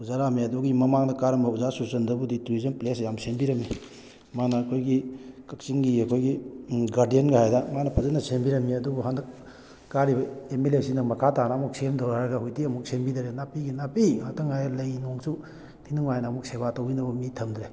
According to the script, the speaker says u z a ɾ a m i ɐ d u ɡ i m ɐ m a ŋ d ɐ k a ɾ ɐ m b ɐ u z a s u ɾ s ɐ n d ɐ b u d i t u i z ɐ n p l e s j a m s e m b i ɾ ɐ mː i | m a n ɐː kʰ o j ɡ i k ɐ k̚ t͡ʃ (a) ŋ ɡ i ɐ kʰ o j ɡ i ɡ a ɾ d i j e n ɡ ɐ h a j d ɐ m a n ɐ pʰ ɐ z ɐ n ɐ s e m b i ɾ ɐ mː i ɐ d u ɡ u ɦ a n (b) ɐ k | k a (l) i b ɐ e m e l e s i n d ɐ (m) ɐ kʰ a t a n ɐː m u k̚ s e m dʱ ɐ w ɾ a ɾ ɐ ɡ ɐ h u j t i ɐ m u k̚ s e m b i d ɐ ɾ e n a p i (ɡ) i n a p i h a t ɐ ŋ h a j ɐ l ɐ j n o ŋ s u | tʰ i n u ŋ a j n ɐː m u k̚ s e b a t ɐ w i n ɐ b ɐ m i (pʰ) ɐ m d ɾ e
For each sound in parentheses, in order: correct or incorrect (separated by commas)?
incorrect, incorrect, incorrect, correct, correct, incorrect